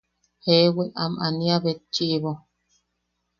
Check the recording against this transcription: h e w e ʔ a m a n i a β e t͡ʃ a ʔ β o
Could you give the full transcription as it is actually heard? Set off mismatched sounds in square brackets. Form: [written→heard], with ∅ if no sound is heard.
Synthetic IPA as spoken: h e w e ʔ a m a n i a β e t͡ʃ [a→i] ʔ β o